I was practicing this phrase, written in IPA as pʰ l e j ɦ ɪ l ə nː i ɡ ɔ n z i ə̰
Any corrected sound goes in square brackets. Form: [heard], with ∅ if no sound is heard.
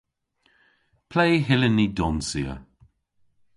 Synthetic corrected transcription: pʰ l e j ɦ ɪ l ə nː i [d] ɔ n [s] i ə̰